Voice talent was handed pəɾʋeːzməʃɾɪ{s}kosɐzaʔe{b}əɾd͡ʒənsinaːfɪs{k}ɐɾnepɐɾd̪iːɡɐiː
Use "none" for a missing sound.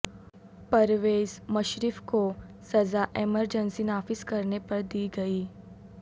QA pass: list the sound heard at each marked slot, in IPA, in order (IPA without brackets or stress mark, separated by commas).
f, m, k